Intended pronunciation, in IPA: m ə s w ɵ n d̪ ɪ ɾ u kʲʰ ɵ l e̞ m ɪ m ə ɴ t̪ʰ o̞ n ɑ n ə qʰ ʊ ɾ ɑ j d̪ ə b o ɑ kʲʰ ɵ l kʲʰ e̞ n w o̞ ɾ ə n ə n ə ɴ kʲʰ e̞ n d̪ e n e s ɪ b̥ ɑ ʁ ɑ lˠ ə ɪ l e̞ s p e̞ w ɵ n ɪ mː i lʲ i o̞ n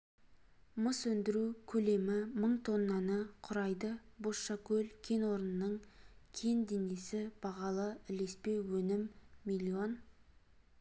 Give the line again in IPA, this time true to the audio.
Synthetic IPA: m ə s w ɵ n d̪ ɪ ɾ u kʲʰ ɵ l e̞ m ɪ m ə ɴ t̪ʰ o̞ nː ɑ n ə qʰ ʊ ɾ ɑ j d̪ ə b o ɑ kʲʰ ɵ l kʲʰ e̞ n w o̞ ɾ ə n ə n ə ɴ kʲʰ e̞ n d̪ e n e s ɪ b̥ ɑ ʁ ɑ lˠ ə ɪ l e̞ s p e̞ w ɵ n ɪ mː i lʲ i o̞ n

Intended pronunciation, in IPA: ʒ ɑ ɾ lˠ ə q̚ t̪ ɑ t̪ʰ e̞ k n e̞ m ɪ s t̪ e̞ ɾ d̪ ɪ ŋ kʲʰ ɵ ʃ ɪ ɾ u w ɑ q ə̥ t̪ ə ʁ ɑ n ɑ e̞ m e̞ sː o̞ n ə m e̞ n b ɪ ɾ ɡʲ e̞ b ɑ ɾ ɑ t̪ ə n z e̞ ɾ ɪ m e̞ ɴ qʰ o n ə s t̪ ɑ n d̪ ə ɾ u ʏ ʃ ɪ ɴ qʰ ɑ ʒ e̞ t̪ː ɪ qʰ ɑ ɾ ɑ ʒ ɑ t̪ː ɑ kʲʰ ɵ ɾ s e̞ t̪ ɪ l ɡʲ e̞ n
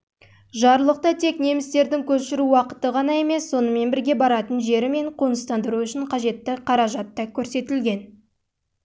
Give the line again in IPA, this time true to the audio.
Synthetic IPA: ʒ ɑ ɾ lˠ ə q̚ t̪ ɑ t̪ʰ e̞ k n e̞ m ɪ s t̪ e̞ ɾ d̪ ɪ ŋ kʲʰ ɵ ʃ ɪ ɾ u w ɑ q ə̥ t̪ ə ʁ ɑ n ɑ e̞ m e̞ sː o̞ n ə m e̞ n b ɪ ɾ ɡʲ e̞ b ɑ ɾ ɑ t̪ ə n ʒ e̞ ɾ ɪ m e̞ ɴ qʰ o n ə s t̪ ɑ n d̪ ə ɾ u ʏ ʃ ɪ ɴ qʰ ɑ ʒ e̞ t̪ː ɪ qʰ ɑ ɾ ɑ ʒ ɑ t̪ː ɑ kʲʰ ɵ ɾ s e̞ t̪ ɪ l ɡʲ e̞ n

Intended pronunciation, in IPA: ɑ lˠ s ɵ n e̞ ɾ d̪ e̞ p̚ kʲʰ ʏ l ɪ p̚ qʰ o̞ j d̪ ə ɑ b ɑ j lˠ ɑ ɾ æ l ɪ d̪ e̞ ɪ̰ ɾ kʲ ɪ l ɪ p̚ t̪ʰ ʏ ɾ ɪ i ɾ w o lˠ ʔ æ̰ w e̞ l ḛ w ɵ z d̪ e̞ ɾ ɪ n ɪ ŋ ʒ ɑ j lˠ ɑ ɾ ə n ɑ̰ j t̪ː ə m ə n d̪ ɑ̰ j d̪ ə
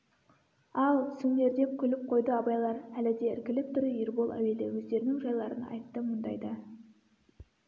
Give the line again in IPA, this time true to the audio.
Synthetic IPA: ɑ lˠ s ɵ n e̞ ɾ d̪ e̞ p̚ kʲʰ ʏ l ɪ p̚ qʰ o̞ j d̪ ə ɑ b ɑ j lˠ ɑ ɾ æ l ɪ d̪ e̞ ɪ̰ ɾ kʲ ɪ l ɪ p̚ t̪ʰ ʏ ɾ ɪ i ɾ b o lˠ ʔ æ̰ w e̞ l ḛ w ɵ z d̪ e̞ ɾ ɪ n ɪ ŋ ʒ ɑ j lˠ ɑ ɾ ə n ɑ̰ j t̪ː ə m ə n d̪ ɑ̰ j d̪ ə

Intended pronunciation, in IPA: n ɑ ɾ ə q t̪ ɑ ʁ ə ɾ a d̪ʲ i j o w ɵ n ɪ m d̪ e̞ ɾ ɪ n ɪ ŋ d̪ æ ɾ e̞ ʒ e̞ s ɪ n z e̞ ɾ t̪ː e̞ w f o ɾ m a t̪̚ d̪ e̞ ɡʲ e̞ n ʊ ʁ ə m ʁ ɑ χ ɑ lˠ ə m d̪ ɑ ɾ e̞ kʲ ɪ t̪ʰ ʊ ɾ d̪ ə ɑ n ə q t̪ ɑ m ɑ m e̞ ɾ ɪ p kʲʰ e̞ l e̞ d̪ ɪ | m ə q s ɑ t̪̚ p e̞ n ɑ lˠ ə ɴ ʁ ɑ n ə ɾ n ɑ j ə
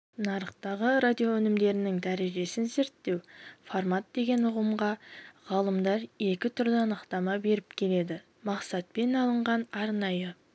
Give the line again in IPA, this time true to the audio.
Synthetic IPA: n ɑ ɾ ə q t̪ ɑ ʁ ə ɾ a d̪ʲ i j o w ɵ n ɪ m d̪ e̞ ɾ ɪ n ɪ ŋ d̪ æ ɾ e̞ ʒ e̞ s ɪ n z e̞ ɾ t̪ː e̞ w f o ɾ m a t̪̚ d̪ e̞ ɡʲ e̞ n ʊ ʁ ə m ʁ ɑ ʁ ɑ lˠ ə m d̪ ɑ ɾ e̞ kʲ ɪ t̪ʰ ʊ ɾ d̪ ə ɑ n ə q t̪ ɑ m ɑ b e̞ ɾ ɪ p kʲʰ e̞ l e̞ d̪ ɪ | m ɑ q s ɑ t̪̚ p e̞ n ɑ lˠ ə ɴ ʁ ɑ n ɑ ɾ n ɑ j ə

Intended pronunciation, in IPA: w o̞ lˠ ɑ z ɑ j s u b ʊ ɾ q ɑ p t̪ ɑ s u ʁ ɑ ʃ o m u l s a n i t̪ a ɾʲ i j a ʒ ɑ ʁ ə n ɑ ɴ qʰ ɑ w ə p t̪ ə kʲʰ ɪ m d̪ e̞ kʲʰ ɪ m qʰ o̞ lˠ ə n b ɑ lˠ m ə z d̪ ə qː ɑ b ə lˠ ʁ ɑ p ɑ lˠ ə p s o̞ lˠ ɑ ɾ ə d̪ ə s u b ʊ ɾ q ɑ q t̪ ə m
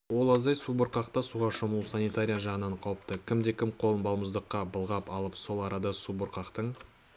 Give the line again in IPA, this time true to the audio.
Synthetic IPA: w o̞ lˠ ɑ z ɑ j s u b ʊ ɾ q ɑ q t̪ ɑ s u ʁ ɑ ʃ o m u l s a n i t̪ a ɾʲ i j a ʒ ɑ ʁ ə n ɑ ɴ qʰ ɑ w ə p t̪ ə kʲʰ ɪ m d̪ e̞ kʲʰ ɪ m qʰ o̞ lˠ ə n b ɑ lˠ m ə z d̪ ə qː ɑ b ə lˠ ʁ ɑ p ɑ lˠ ə p s o̞ lˠ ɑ ɾ ɑ d̪ ɑ s u b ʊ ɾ q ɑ q t̪ ə ɴ

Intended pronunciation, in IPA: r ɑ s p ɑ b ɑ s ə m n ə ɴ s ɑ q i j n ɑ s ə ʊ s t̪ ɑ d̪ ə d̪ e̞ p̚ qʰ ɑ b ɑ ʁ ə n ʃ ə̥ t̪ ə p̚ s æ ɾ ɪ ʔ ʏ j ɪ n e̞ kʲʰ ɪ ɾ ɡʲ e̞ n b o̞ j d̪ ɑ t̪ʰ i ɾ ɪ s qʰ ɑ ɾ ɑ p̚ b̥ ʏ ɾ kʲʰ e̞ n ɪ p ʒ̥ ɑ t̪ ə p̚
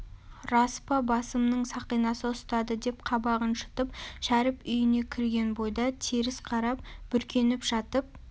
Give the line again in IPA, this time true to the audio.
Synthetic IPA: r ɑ s p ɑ b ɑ s ə m n ə ɴ s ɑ q i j n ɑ s ə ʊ s t̪ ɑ d̪ ə d̪ e̞ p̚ qʰ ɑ b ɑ ʁ ə n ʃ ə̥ t̪ ə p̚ ʃ æ ɾ ɪ p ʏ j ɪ n e̞ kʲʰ ɪ ɾ ɡʲ e̞ n b o̞ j d̪ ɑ t̪ʰ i ɾ ɪ s qʰ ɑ ɾ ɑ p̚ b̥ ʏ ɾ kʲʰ e̞ n ɪ p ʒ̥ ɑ t̪ ə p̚

